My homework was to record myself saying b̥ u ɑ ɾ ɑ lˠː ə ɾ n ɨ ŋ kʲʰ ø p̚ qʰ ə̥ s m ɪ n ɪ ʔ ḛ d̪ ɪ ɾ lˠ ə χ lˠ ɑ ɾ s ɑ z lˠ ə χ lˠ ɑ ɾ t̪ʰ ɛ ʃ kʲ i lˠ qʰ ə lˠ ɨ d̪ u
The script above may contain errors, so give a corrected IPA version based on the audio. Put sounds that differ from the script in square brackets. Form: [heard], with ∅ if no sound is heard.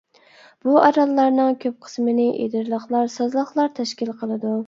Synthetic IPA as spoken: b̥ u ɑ ɾ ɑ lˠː [ɑ] ɾ n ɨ ŋ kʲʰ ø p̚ qʰ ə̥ s m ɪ n ɪ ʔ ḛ d̪ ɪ ɾ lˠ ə χ lˠ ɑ ɾ s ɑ z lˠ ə χ lˠ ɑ ɾ t̪ʰ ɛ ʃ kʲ i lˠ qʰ ə lˠ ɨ d̪ u

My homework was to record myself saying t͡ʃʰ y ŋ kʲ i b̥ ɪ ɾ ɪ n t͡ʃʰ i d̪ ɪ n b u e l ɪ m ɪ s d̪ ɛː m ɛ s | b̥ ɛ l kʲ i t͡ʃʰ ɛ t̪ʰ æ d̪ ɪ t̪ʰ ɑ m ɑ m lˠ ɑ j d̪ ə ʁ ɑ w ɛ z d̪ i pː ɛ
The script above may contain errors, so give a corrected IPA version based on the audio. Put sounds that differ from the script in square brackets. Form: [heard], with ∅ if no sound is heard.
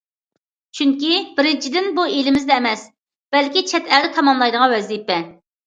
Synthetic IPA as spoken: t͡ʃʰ y ŋ kʲ i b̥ ɪ ɾ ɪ n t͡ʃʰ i d̪ ɪ n b u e l ɪ m ɪ [z] d̪ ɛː m ɛ s | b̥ ɛ l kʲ i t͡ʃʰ ɛ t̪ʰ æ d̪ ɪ t̪ʰ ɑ m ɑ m lˠ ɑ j d̪ ə ʁ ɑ w ɛ z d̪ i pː ɛ

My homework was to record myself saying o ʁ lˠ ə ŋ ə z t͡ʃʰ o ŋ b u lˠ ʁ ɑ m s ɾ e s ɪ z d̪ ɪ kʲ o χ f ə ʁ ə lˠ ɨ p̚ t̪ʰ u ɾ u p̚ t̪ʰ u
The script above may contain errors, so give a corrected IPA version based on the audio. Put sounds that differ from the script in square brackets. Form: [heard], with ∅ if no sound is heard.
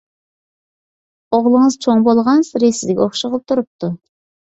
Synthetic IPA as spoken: o ʁ lˠ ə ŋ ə z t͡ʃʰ o ŋ b [o] lˠ ʁ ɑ [n] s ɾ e s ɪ z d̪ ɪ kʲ o χ [ʃ] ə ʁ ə lˠ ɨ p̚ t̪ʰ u ɾ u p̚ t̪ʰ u

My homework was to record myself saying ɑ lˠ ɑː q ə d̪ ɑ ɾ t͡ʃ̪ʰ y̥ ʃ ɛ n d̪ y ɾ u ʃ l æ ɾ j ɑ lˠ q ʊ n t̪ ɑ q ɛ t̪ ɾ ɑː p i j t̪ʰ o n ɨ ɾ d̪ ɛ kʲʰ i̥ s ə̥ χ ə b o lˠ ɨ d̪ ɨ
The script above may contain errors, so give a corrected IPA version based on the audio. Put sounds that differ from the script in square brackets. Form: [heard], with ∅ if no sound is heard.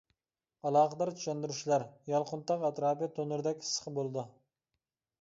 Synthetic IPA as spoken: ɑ lˠ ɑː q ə d̪ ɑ ɾ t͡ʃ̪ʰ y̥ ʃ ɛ n d̪ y ɾ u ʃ l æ ɾ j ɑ lˠ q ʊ n t̪ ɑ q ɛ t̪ ɾ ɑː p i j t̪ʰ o n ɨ ɾ d̪ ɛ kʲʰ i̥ s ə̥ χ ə b o lˠ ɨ d̪ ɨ

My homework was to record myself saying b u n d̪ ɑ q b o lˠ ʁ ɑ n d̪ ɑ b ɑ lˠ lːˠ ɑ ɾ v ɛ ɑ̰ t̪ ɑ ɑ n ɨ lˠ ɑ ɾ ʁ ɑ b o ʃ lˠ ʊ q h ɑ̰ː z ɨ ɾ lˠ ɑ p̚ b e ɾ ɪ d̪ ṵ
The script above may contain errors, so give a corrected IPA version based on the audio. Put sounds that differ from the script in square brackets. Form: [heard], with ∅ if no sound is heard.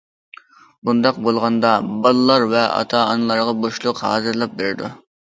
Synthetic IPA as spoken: b u n d̪ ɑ q b o lˠ ʁ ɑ n d̪ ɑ b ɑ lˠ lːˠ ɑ ɾ v ɛ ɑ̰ [t̪ʰ] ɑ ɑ n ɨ lˠ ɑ ɾ ʁ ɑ b o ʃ lˠ ʊ q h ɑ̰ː z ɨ ɾ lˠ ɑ p̚ b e ɾ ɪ d̪ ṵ

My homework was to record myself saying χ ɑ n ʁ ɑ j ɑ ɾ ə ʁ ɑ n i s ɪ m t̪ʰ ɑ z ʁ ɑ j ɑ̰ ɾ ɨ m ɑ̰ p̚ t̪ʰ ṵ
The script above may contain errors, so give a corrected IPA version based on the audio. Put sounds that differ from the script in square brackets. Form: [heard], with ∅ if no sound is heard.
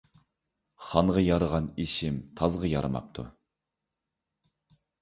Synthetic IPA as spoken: χ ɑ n ʁ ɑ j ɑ ɾ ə ʁ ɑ n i [ʃ] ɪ m t̪ʰ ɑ z ʁ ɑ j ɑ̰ ɾ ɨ m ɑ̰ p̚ t̪ʰ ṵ

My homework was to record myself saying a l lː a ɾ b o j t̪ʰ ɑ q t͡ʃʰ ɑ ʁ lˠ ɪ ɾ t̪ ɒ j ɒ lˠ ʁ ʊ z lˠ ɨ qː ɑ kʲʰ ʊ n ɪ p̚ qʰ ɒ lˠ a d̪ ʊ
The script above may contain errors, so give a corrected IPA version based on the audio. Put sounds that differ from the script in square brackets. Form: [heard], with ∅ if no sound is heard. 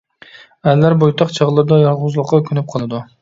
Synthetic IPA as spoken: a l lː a ɾ b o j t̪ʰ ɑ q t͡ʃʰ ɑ ʁ lˠ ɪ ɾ [d̪] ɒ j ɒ lˠ ʁ ʊ z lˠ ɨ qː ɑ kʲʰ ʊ n ɪ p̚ qʰ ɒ lˠ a d̪ ʊ

